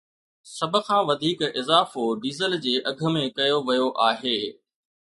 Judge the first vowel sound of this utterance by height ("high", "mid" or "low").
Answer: low